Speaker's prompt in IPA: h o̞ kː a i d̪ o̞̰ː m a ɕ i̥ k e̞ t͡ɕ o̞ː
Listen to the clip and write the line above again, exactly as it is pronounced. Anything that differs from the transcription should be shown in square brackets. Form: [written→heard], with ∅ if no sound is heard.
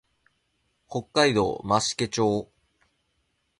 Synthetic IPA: h o̞ kː a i d̪ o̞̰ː m a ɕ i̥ k e̞ t͡ɕ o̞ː